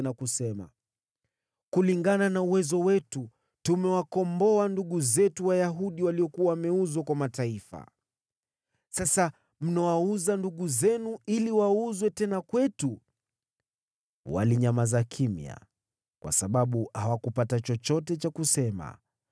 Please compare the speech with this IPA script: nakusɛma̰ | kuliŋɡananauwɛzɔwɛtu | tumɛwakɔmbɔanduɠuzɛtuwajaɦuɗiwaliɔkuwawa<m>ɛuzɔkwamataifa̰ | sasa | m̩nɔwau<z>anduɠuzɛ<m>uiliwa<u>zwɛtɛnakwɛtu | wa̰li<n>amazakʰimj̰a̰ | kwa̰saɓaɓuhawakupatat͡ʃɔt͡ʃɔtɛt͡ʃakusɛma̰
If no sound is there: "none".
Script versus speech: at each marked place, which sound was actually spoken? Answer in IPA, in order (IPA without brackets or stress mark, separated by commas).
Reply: m, z, n, u, ɲ